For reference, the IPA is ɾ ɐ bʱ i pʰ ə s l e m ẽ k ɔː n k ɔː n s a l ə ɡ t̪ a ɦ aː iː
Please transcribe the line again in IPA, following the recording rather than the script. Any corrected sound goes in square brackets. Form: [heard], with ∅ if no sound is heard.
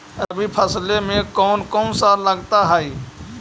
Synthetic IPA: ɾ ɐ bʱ i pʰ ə s l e m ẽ k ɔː n k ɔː n s a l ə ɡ t̪ a ɦ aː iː